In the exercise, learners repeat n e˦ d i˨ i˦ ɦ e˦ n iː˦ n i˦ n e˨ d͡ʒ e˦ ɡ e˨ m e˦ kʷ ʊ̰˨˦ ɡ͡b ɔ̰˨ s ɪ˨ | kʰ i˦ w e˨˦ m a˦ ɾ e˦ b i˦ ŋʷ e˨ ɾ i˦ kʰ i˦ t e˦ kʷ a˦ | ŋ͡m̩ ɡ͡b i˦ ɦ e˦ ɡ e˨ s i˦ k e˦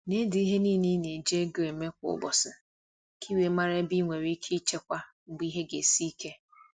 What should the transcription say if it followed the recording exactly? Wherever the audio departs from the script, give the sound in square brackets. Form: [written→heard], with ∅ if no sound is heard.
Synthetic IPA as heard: n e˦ d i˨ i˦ ɦ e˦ n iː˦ n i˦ n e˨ d͡ʒ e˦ ɡ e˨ m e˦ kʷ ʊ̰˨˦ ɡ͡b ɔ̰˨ s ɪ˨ | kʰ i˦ w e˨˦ m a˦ ɾ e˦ b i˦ ŋʷ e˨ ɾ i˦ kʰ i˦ [t→t͡ʃ] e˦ kʷ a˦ | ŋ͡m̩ ɡ͡b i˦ ɦ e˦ ɡ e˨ s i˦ k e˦